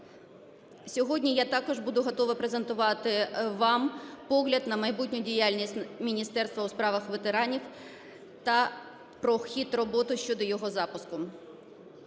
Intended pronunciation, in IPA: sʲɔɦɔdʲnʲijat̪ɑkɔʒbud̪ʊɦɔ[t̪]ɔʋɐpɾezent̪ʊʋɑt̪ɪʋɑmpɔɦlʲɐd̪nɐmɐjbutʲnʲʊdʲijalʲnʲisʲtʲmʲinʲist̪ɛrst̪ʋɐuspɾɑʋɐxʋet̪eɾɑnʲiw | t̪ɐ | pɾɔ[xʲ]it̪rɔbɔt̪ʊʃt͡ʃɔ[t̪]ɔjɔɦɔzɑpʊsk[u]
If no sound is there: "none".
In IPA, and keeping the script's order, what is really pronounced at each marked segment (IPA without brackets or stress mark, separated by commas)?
t̪, xʲ, d̪, ʊ